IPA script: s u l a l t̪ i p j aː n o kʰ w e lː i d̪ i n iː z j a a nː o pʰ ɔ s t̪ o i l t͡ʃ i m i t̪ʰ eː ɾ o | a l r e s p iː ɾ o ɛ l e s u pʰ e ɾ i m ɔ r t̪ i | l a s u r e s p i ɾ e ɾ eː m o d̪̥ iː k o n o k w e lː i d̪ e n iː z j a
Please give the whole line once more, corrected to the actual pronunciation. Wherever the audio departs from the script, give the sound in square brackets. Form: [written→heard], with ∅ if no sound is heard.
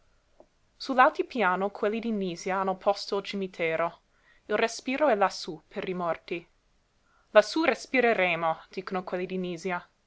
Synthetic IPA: s u l a l t̪ i p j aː n o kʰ w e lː i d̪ i n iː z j a a nː o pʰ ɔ s t̪ o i l t͡ʃ i m i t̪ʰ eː ɾ o | [a→i] l r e s p iː ɾ o ɛ l [e→a] s u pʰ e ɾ i m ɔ r t̪ i | l a s u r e s p i ɾ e ɾ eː m o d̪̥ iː k o n o k w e lː i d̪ [e→i] n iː z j a